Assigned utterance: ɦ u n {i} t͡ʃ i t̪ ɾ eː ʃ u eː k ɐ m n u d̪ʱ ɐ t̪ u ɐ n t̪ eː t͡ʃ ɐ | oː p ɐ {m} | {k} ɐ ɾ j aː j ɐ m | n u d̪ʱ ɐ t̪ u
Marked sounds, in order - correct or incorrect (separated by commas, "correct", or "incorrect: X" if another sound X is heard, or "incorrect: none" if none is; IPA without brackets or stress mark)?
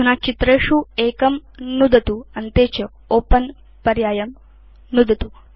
incorrect: a, incorrect: n, incorrect: p